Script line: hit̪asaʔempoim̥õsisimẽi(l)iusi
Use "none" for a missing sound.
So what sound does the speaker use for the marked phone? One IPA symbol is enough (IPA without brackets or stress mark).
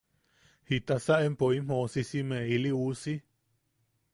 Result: l